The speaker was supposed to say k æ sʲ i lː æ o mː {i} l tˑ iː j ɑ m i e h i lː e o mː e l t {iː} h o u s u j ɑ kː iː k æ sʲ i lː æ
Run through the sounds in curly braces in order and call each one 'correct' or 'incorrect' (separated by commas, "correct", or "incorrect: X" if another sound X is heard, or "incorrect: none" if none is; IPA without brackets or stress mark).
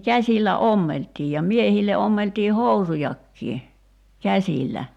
incorrect: e, correct